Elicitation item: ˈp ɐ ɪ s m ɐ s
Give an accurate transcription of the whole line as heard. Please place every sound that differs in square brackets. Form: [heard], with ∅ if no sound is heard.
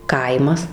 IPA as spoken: [ˈk] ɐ ɪ [∅] m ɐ s

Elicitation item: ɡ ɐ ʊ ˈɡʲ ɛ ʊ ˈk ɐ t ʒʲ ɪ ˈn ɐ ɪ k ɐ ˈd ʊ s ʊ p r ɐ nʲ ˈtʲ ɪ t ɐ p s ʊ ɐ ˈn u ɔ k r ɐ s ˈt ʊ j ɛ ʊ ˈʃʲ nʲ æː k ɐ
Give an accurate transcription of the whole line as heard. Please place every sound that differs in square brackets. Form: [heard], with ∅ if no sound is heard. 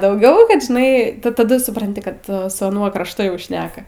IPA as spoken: [d] ɐ ʊ ˈɡʲ ɛ ʊ ˈk ɐ t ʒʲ ɪ ˈn ɐ ɪ [t] ɐ ˈd ʊ s ʊ p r ɐ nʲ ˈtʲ ɪ [k] ɐ [t] s ʊ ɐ ˈn u ɔ k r ɐ [ʃ] ˈt ʊ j ɛ ʊ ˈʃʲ nʲ æː k ɐ

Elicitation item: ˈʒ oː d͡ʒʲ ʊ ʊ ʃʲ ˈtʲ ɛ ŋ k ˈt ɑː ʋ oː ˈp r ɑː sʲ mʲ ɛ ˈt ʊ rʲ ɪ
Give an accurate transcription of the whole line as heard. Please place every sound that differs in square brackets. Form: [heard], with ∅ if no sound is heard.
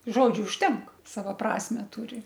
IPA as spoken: ˈʒ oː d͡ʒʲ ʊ ʊ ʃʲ ˈtʲ ɛ ŋ k [ˈs] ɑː ʋ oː ˈp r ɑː sʲ mʲ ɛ ˈt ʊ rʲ ɪ

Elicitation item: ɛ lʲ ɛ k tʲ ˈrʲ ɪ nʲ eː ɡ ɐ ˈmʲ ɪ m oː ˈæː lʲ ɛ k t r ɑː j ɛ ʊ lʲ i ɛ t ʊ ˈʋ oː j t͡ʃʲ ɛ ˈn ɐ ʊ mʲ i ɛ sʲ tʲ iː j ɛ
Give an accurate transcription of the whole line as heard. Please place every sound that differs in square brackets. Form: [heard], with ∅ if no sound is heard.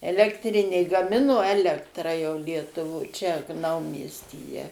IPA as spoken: ɛ lʲ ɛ k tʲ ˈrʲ ɪ nʲ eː ɡ ɐ ˈmʲ ɪ [n] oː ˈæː lʲ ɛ k t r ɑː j ɛ ʊ lʲ i ɛ t ʊ ˈʋ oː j t͡ʃʲ ɛ ˈn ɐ ʊ mʲ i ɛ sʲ tʲ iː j ɛ

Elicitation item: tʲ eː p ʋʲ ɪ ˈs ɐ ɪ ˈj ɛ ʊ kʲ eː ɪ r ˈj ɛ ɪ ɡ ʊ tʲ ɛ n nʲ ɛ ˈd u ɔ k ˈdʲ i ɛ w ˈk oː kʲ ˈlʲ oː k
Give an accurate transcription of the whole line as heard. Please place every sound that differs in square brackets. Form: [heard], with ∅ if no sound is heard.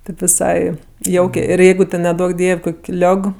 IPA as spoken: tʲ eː p ʋʲ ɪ ˈs ɐ ɪ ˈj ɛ ʊ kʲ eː ɪ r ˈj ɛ ɪ ɡ ʊ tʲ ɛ n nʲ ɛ ˈd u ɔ k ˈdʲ i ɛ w ˈk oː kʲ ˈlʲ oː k

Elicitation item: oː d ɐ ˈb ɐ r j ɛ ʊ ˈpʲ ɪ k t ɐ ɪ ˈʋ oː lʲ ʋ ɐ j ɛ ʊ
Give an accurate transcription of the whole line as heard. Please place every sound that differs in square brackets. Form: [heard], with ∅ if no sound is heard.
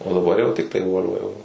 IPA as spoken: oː d ɐ ˈb ɐ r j ɛ ʊ [ˈtʲ] ɪ k t ɐ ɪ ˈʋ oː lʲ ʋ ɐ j ɛ ʊ

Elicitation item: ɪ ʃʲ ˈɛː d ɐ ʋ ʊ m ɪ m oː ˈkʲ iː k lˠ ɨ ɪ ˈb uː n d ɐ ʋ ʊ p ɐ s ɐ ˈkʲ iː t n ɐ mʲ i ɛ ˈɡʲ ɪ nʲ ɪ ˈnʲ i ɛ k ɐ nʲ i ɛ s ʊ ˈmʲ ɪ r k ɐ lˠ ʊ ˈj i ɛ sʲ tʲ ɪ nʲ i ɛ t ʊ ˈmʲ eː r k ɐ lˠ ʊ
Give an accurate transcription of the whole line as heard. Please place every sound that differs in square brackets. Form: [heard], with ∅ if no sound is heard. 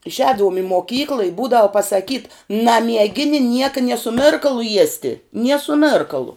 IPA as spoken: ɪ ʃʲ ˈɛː d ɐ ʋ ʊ m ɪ m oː ˈkʲ iː k lˠ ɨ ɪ ˈb uː [∅] d ɐ ʋ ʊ p ɐ s ɐ ˈkʲ iː t n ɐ mʲ i ɛ ˈɡʲ ɪ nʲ ɪ ˈnʲ i ɛ k ɐ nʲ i ɛ s ʊ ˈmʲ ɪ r k ɐ lˠ ʊ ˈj i ɛ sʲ tʲ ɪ nʲ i ɛ [s] ʊ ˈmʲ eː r k ɐ lˠ ʊ

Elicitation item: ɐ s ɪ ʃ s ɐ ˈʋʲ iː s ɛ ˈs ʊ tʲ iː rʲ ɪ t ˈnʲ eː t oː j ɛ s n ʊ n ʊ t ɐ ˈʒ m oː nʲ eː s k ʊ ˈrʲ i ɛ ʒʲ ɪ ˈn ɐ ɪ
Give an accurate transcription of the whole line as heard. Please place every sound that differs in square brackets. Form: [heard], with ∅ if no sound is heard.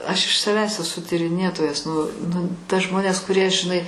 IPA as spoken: ɐ [ʃ] ɪ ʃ s ɐ ˈʋʲ [æː] s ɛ ˈs ʊ tʲ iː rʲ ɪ [∅] ˈnʲ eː t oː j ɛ s n ʊ n ʊ t ɐ ˈʒ m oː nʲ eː s k ʊ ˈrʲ i ɛ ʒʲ ɪ ˈn ɐ ɪ

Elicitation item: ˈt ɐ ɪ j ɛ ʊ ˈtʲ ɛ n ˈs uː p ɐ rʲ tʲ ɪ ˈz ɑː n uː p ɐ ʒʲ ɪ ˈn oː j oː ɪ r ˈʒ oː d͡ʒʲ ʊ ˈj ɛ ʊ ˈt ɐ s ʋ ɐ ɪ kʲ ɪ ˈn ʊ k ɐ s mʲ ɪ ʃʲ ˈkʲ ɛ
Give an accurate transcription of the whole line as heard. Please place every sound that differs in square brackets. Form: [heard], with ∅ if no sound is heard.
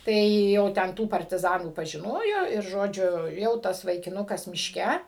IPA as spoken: ˈt ɐ ɪ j ɛ ʊ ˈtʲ ɛ n [ˈt] uː p ɐ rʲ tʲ ɪ ˈz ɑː n uː p ɐ ʒʲ ɪ ˈn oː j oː ɪ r ˈʒ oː d͡ʒʲ ʊ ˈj ɛ ʊ ˈt ɐ s ʋ ɐ ɪ kʲ ɪ ˈn ʊ k ɐ s mʲ ɪ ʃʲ ˈkʲ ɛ

